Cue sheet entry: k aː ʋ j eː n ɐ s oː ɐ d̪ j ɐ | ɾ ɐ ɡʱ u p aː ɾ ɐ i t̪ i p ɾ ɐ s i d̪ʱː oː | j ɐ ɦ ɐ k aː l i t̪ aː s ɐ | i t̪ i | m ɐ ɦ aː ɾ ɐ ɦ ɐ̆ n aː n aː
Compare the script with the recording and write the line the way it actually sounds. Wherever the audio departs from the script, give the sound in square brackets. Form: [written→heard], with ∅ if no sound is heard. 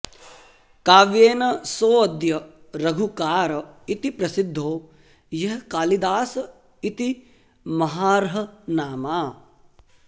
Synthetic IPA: k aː ʋ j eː n ɐ s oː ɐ d̪ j ɐ | ɾ ɐ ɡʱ u [p→k] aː ɾ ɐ i t̪ i p ɾ ɐ s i d̪ʱː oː | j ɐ ɦ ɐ k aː l i [t̪→d̪] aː s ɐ | i t̪ i | m ɐ ɦ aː ɾ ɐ ɦ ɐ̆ n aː [n→m] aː